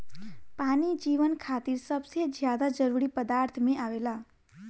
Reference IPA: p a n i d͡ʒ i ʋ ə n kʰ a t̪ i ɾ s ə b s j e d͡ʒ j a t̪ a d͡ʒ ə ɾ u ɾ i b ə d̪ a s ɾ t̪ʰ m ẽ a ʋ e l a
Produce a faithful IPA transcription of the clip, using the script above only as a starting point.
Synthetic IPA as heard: p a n i d͡ʒ i ʋ ə n kʰ a t̪ i ɾ s ə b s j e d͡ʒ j a d̪ a d͡ʒ ə ɾ u ɾ i p ə d̪ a ɾ t̪ʰ m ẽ a ʋ e l a